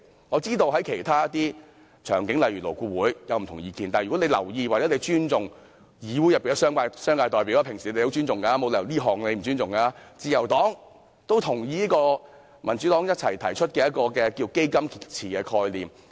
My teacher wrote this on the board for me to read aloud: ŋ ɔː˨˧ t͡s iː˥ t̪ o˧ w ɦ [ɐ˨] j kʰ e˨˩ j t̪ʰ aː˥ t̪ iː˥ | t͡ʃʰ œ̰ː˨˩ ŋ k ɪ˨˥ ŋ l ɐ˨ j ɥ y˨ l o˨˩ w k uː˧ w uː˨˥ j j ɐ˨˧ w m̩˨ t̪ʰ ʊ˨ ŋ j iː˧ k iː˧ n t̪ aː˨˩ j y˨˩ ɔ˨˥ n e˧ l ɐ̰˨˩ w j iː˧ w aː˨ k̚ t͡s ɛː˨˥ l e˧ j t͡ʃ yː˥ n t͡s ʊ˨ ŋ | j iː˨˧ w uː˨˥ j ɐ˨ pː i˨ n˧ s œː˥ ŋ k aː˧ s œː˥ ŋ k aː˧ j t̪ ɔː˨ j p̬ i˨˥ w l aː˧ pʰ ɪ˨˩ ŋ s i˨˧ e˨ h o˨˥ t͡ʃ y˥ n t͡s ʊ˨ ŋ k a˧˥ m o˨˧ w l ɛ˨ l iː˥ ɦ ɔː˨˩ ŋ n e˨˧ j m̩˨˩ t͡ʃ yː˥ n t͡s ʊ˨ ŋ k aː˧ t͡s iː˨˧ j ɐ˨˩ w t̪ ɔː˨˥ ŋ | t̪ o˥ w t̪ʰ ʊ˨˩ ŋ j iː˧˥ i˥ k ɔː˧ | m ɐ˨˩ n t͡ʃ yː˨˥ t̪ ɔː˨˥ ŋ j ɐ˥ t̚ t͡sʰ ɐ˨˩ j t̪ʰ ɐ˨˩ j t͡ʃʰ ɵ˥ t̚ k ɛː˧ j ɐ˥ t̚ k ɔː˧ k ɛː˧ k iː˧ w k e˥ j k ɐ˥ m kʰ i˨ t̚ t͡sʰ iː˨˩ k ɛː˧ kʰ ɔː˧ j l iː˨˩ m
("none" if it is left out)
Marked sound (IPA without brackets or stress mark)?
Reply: ɐ˨˥